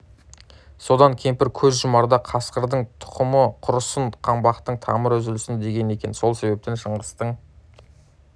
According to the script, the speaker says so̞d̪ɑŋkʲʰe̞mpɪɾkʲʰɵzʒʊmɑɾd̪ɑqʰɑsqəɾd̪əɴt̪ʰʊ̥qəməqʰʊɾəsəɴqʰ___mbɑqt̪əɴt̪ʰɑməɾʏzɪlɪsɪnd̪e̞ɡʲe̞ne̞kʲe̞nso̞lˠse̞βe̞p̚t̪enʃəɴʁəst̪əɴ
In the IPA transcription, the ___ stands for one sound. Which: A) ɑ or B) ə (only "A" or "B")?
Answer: A